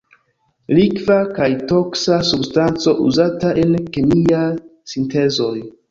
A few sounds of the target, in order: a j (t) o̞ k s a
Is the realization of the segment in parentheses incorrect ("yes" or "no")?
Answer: no